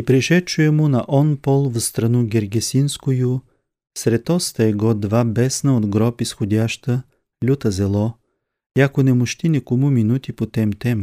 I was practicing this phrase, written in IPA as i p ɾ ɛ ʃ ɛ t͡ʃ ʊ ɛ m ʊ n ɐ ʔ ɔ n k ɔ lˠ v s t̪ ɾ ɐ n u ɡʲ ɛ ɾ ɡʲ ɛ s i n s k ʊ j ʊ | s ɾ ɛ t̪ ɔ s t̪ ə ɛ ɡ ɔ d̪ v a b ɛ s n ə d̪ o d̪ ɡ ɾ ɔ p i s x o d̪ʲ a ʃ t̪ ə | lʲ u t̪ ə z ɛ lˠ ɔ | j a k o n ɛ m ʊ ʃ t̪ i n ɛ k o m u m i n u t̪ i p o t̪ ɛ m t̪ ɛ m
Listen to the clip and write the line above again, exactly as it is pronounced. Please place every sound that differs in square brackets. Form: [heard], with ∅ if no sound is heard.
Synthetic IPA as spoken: i p ɾ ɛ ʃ ɛ t͡ʃ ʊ ɛ m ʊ n ɐ ʔ ɔ n [p] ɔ lˠ v s t̪ ɾ ɐ n u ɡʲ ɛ ɾ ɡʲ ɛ s i n s k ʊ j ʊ | s ɾ ɛ t̪ ɔ s t̪ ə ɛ ɡ ɔ d̪ v a b ɛ s n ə [∅] o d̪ ɡ ɾ ɔ p i s x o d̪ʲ a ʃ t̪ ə | lʲ u t̪ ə z ɛ lˠ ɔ | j a k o n ɛ m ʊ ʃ t̪ i n ɛ k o m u m i n u t̪ i p o t̪ ɛ m t̪ ɛ m